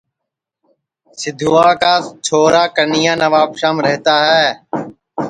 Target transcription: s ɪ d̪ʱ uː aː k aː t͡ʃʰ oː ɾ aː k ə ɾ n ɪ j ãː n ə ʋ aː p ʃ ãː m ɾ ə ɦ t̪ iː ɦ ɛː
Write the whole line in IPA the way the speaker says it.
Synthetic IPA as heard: s ɪ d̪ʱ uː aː k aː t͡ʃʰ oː ɾ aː k ə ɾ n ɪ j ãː n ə ʋ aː p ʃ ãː m ɾ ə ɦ t̪ aː ɦ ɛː